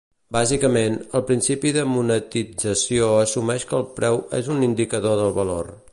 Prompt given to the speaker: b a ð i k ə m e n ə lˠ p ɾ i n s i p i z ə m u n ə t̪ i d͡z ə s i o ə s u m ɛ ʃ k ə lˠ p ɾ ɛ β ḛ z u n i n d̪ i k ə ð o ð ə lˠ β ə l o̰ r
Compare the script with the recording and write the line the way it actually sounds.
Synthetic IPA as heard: b a z i k ə m e n ə lˠ p ɾ i n s i p i ð ə m u n ə t̪ i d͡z ə s i o ə s u m ɛ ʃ k ə lˠ p ɾ ɛ w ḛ z u n i n d̪ i k ə ð o ð ə lˠ β ə l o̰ r